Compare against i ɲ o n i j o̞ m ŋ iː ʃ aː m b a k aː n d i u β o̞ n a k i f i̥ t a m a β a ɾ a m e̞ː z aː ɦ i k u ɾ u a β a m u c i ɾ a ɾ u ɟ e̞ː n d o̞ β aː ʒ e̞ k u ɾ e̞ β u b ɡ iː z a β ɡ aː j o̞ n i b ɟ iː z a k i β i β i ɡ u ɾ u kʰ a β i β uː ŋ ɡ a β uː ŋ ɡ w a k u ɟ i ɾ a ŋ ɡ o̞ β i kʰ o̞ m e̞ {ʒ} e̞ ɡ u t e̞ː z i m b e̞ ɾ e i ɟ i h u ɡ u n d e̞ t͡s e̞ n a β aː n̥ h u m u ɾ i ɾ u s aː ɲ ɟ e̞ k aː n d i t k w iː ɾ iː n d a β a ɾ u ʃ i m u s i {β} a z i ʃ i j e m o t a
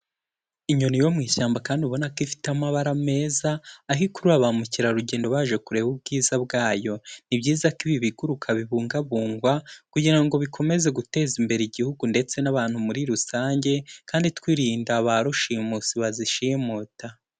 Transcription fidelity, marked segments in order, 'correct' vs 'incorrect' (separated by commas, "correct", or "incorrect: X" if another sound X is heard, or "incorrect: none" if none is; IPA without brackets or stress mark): incorrect: z, correct